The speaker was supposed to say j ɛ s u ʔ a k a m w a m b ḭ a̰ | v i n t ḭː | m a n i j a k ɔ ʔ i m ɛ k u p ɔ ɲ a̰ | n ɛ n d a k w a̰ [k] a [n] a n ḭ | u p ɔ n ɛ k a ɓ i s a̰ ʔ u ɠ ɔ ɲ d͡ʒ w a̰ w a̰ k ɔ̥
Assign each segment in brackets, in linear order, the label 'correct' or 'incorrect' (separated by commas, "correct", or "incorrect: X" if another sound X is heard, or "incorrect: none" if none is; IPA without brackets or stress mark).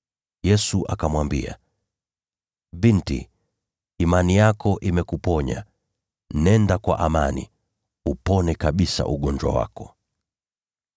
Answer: incorrect: ʔ, incorrect: m